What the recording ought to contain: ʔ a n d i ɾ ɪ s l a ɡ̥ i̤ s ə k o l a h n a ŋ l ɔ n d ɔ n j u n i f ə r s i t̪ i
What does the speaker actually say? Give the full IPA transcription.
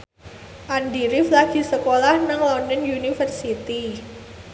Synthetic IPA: ʔ a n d i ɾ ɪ f l a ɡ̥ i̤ s ə k o l a h n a ŋ l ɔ n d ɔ n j u n i f ə r s i t̪ i